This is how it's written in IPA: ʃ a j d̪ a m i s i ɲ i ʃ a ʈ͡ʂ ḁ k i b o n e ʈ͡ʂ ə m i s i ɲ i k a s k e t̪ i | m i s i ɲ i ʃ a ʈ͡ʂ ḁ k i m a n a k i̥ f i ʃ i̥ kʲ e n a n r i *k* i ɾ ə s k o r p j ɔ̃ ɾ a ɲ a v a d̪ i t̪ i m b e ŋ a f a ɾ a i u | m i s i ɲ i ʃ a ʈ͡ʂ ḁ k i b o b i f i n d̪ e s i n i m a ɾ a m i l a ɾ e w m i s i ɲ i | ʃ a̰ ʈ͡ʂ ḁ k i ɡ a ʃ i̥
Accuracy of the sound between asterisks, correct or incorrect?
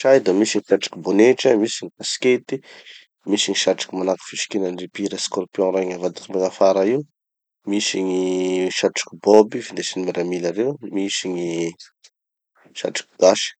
incorrect